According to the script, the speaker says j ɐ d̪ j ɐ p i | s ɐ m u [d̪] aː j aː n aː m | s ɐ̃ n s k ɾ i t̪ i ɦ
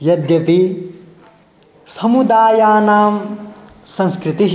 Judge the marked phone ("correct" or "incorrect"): correct